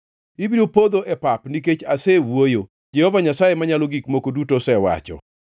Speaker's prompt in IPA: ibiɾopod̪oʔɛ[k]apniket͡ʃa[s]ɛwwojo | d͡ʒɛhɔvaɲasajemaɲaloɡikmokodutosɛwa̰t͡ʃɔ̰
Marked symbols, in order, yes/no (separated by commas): no, yes